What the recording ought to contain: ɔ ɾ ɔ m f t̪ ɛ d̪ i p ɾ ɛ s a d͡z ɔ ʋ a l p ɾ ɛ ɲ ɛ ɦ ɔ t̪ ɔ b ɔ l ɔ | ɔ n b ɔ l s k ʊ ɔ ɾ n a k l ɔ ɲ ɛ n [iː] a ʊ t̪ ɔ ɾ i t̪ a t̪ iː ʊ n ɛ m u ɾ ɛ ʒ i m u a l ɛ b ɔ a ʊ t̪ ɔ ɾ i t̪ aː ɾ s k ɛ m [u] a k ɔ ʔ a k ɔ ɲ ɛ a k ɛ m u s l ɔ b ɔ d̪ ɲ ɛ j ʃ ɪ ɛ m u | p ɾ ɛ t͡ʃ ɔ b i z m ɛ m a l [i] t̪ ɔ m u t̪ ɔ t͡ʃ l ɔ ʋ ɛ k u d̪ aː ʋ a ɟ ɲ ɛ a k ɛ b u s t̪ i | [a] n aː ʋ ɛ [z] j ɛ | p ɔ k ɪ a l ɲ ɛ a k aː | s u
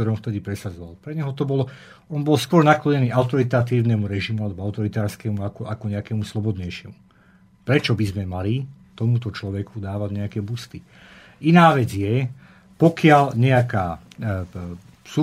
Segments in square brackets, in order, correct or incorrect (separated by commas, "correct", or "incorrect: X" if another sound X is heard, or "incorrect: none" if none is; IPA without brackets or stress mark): correct, correct, correct, incorrect: i, incorrect: d͡z